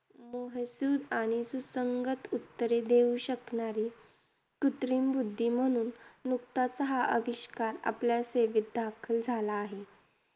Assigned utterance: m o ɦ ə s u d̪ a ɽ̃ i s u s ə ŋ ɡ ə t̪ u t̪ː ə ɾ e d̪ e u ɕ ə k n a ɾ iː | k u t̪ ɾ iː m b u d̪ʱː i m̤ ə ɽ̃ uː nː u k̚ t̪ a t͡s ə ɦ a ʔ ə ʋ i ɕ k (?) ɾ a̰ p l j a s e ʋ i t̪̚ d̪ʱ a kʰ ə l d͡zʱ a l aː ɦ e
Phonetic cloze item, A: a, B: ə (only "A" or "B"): A